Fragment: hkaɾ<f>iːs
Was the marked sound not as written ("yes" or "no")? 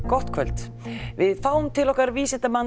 yes